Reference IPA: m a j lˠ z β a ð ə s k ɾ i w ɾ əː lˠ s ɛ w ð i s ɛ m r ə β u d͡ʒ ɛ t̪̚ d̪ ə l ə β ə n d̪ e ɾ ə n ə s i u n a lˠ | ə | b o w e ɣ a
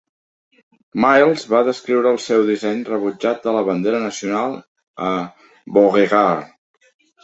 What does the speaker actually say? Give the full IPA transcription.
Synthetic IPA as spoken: m a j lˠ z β a ð ə s k ɾ i w ɾ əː lˠ s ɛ w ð i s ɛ ɲ r ə β u d͡ʒ a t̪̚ d̪ ə l ə β ə n d̪ e ɾ ə n ə s i u n a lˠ | ə | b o ɣ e ɣ a